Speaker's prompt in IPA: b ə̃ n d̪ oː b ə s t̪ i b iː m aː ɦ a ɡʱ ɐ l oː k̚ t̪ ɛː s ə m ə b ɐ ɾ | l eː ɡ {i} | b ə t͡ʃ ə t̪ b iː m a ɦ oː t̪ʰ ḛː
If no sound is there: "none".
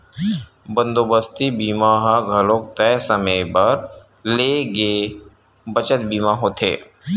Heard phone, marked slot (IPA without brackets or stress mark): e